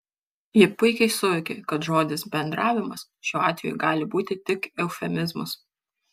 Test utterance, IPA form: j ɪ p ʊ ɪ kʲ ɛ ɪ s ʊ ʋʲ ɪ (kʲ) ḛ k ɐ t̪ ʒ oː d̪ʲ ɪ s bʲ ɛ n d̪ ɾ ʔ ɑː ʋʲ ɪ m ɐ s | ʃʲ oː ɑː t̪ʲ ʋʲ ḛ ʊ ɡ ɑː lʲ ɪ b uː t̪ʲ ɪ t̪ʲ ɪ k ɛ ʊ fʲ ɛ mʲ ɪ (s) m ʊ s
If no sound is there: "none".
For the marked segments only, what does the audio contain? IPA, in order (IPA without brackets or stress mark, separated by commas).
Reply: kʲ, z